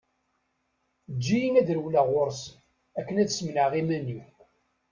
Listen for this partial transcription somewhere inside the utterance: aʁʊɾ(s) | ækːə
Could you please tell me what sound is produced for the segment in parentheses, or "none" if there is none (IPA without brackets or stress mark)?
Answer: s